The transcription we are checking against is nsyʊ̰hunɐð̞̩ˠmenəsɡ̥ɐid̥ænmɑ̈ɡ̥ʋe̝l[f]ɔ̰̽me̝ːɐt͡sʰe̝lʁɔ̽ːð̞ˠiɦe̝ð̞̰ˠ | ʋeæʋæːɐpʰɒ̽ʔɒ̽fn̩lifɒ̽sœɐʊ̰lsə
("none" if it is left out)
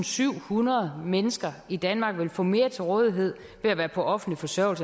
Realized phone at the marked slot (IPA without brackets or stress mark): f